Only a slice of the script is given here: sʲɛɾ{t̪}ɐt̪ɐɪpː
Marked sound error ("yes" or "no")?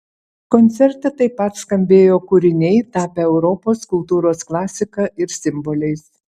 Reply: no